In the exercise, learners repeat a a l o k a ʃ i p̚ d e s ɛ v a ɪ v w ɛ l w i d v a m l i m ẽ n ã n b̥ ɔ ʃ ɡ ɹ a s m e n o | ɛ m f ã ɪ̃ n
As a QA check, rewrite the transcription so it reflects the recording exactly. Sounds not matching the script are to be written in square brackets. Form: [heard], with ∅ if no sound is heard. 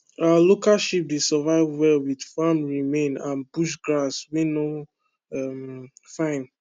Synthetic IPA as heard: a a l o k a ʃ i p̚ d e s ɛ v a ɪ v w ɛ l w i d [f] a m [ɹ] i m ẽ n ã n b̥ [u] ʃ ɡ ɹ a s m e n o | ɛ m f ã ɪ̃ n